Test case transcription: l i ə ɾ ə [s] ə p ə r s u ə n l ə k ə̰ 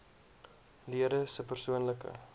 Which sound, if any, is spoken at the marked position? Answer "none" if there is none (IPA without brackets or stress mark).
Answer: s